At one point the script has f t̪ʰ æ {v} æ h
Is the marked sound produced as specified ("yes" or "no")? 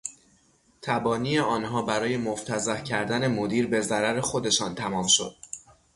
no